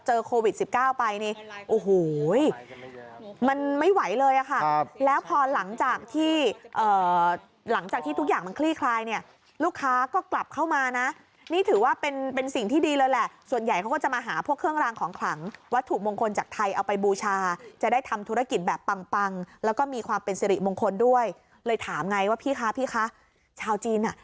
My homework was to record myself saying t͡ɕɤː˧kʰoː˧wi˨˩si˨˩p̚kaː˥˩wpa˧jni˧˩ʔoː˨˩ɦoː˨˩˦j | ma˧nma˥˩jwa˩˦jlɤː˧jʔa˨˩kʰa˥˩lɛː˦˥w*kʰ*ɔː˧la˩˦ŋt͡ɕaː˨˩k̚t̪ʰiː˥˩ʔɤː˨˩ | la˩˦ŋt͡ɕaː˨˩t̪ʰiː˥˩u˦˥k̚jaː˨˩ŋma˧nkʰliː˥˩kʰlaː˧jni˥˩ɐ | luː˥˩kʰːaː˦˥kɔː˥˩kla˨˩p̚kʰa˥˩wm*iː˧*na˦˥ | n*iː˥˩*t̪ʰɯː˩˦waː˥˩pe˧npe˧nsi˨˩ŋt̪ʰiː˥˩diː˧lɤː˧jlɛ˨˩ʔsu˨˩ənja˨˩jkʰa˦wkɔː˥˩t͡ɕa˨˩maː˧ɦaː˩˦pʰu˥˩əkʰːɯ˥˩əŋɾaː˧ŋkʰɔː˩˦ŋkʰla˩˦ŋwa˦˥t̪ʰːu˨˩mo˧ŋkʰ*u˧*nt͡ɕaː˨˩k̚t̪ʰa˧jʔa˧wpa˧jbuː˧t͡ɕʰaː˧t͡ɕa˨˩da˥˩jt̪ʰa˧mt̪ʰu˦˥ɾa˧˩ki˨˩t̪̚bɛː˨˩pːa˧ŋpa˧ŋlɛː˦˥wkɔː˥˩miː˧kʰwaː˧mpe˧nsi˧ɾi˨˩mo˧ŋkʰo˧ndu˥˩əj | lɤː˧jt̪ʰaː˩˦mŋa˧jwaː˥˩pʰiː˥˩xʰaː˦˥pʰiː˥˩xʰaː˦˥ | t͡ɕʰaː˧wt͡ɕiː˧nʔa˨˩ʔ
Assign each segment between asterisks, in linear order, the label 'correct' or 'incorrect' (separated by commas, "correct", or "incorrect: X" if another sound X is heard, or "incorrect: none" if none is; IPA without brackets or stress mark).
incorrect: pʰ, incorrect: aː˧, correct, incorrect: o˧